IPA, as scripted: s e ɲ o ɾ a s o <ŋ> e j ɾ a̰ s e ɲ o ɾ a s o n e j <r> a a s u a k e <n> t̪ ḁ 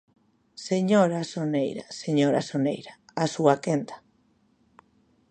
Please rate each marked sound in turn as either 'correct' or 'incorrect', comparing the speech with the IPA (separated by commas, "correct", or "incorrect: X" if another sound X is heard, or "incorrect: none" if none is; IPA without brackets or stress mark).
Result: incorrect: n, incorrect: ɾ, correct